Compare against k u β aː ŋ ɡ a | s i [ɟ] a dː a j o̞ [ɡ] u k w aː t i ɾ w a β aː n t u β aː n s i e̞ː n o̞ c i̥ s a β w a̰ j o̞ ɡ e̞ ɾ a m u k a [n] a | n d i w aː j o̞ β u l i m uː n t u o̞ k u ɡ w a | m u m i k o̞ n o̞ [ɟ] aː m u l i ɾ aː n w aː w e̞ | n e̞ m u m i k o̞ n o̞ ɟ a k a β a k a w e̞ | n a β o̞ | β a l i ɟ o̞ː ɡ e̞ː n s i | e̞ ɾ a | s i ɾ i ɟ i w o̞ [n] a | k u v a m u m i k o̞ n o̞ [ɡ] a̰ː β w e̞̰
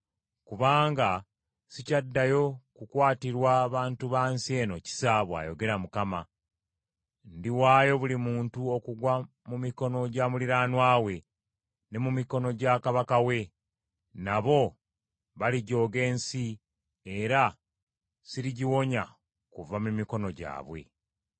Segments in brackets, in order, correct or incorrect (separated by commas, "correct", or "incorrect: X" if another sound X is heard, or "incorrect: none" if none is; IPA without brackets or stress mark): incorrect: c, incorrect: k, incorrect: m, correct, incorrect: ɲ, incorrect: ɟ